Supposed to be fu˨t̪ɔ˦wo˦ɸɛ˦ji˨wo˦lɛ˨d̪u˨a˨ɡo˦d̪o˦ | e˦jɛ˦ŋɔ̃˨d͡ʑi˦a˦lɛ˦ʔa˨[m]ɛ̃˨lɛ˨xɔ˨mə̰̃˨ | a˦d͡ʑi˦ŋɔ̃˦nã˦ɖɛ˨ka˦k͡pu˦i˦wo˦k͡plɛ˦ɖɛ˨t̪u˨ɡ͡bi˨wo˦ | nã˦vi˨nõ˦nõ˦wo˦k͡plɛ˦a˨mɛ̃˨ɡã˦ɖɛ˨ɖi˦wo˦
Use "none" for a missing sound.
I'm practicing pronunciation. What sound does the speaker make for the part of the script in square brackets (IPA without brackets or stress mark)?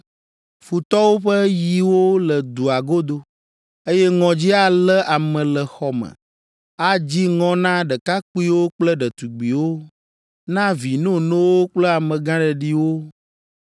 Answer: m